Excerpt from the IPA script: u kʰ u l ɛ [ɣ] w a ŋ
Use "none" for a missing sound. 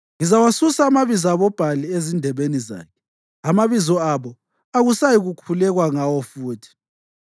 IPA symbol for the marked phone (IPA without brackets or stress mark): ɣ